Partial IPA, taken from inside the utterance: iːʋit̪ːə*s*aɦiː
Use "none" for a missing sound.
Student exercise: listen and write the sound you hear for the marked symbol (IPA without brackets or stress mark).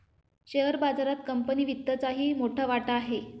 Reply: t͡s